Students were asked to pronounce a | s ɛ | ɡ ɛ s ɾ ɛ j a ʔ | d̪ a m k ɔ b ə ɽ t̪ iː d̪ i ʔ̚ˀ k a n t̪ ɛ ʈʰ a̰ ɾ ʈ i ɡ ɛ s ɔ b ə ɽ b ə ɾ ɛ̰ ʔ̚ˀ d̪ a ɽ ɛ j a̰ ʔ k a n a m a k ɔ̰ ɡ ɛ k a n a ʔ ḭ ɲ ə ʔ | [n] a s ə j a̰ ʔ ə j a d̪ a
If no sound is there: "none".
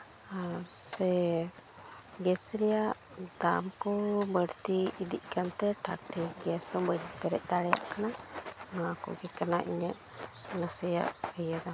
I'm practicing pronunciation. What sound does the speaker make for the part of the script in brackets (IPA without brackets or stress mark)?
n